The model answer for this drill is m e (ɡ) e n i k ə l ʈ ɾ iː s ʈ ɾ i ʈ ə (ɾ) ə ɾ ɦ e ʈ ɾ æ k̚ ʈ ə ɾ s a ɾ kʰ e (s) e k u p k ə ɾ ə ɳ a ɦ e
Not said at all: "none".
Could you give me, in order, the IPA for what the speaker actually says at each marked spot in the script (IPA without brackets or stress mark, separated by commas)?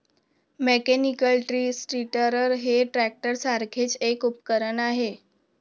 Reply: k, ɾ, t͡s